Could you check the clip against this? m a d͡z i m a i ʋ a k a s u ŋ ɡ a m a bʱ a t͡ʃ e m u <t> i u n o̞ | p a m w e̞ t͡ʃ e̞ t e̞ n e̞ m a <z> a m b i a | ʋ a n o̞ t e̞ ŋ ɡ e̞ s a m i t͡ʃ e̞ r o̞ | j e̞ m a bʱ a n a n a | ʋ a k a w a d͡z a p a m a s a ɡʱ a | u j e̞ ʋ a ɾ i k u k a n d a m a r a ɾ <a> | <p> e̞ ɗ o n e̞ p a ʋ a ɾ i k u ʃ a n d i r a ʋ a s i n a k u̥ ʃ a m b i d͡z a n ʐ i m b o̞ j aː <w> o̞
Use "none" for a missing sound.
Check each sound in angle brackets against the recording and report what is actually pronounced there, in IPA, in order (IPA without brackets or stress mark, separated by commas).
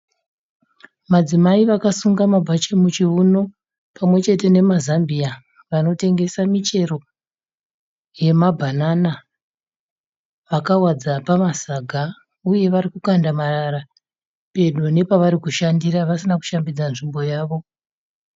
t͡ʃ, z, a, p, ʋ